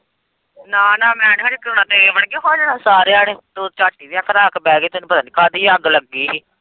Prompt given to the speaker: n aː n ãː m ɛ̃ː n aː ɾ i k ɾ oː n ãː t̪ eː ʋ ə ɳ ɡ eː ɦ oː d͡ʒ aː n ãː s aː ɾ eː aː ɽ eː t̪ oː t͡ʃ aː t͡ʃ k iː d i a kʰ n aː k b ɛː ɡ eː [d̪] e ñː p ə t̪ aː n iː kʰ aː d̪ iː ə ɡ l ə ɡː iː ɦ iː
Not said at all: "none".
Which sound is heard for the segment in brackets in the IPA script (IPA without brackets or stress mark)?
t̪